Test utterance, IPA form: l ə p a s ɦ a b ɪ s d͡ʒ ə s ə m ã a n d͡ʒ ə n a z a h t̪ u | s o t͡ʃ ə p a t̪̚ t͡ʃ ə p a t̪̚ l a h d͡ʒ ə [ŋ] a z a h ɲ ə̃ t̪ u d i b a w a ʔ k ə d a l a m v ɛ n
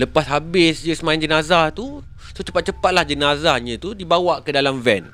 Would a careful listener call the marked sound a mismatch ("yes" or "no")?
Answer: yes